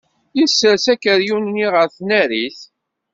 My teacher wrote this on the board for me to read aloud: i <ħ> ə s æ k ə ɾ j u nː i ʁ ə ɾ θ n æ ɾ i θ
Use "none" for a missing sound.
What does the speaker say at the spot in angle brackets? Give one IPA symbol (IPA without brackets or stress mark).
s